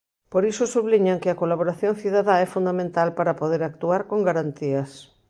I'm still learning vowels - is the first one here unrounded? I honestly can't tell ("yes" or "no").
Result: no